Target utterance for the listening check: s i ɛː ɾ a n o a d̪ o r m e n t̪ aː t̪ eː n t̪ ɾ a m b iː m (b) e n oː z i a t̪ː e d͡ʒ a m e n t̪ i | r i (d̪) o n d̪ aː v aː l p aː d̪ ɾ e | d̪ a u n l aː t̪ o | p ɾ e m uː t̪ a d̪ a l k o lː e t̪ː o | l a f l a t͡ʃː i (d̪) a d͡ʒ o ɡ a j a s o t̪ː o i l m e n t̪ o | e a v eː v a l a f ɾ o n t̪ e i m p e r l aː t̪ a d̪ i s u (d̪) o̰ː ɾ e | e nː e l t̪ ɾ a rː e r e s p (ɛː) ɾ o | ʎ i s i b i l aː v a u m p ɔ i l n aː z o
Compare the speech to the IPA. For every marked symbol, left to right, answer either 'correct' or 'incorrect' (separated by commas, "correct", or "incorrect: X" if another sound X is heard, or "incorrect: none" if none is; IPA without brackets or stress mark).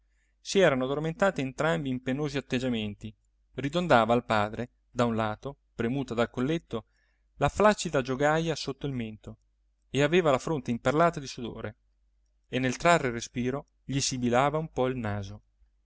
incorrect: p, correct, correct, correct, incorrect: iː